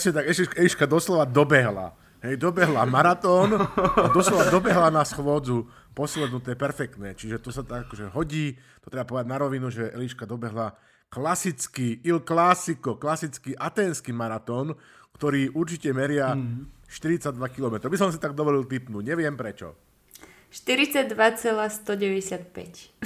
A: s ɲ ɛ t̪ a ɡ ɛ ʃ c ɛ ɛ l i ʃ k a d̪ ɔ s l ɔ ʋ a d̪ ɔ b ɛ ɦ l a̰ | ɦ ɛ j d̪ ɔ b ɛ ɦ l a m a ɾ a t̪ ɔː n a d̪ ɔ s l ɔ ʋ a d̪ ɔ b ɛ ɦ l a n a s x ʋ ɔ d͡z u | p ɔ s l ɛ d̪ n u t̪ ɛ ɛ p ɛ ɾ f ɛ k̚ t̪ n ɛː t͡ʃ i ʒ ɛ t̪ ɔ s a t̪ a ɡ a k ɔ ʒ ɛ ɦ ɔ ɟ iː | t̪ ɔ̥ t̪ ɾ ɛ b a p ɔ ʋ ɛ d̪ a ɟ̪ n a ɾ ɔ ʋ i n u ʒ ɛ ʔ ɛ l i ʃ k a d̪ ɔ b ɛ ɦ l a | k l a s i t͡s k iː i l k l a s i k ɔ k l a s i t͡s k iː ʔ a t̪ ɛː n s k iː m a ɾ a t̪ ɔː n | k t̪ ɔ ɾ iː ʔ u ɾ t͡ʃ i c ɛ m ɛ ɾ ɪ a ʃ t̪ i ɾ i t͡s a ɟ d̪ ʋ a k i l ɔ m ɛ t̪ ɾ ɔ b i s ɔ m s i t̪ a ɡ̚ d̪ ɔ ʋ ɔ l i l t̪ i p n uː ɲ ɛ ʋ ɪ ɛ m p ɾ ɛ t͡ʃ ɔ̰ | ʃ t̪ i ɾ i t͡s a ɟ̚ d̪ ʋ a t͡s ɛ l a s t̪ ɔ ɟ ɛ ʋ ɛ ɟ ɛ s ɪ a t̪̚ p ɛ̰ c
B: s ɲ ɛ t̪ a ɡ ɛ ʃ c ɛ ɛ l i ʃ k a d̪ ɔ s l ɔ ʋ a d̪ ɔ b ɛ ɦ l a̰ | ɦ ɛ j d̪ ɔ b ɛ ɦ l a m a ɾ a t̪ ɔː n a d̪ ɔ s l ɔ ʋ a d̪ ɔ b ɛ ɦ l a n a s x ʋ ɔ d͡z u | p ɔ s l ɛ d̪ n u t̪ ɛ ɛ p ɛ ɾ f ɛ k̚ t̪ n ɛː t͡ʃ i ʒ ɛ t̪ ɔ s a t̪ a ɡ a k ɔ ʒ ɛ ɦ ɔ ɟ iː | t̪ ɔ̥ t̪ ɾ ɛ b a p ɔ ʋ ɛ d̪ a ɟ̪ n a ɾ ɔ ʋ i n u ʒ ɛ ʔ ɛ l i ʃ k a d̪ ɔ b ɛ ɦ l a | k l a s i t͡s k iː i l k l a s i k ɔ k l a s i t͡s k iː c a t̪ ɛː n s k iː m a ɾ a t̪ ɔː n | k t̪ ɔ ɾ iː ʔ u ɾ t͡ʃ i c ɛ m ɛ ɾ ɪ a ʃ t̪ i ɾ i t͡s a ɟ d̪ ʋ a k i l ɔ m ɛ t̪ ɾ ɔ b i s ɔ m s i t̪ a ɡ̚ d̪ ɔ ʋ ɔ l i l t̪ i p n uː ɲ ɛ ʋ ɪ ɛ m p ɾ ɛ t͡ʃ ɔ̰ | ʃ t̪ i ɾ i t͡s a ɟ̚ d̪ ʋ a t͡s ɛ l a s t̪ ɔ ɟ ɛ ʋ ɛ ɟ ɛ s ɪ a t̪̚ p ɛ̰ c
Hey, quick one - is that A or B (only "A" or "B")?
A